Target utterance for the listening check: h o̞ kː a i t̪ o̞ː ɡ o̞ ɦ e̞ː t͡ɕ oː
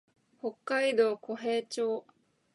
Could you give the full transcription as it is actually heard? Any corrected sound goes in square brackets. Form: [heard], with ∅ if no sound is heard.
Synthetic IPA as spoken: h o̞ kː a i [d̪] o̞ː [k] o̞ ɦ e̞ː t͡ɕ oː